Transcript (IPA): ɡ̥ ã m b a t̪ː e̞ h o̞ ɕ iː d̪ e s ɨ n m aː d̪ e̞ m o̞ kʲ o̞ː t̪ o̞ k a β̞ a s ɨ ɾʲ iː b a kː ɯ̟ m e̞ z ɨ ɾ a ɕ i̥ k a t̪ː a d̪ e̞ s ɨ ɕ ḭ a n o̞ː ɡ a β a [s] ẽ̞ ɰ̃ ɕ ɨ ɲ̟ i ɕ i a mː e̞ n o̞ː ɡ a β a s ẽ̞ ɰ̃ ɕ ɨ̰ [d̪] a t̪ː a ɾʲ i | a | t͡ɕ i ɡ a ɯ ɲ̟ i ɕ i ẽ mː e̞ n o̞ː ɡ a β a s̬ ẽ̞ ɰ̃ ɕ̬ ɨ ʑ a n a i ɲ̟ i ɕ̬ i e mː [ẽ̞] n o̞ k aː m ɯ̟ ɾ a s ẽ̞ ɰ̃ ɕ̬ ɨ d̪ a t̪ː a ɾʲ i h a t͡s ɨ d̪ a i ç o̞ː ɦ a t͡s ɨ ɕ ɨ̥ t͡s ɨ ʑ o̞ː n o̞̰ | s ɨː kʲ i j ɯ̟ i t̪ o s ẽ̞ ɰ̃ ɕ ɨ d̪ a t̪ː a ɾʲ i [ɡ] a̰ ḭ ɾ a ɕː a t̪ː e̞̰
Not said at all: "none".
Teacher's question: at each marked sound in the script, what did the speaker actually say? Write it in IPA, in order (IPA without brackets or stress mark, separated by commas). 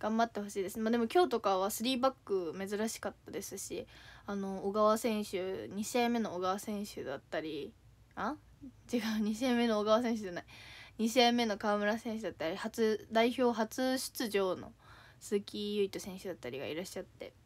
s, d̪, e̞, ɡ